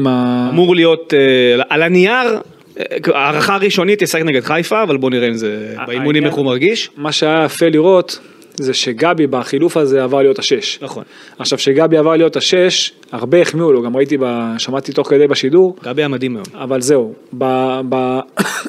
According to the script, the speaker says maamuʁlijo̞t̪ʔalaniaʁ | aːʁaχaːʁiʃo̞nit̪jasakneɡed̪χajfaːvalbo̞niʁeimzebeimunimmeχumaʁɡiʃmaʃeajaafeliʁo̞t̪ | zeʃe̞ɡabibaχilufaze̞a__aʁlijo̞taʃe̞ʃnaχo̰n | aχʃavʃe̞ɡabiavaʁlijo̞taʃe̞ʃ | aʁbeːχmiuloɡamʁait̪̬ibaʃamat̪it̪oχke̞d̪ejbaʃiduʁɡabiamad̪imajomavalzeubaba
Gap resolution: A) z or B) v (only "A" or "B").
B